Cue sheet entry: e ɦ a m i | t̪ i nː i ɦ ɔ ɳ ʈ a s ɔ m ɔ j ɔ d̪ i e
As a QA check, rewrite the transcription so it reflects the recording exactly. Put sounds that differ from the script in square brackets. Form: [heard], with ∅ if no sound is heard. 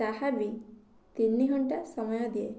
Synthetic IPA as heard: [a] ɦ a [b] i | t̪ i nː i ɦ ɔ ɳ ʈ a s ɔ m ɔ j ɔ d̪ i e